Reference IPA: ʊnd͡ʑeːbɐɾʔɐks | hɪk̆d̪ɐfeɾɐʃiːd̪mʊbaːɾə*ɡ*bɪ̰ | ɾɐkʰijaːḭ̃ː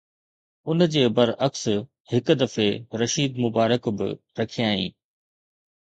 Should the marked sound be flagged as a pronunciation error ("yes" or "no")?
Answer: yes